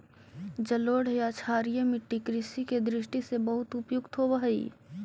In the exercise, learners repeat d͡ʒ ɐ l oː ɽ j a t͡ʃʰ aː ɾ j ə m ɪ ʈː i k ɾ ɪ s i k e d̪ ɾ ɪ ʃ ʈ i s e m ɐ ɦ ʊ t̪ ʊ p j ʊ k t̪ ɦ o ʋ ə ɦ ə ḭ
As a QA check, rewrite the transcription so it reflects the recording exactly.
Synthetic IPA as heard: d͡ʒ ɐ l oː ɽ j a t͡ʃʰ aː ɾ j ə m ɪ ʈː i k ɾ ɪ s i k e d̪ ɾ ɪ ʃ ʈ i s e b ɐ ɦ ʊ t̪ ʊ p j ʊ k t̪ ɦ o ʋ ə ɦ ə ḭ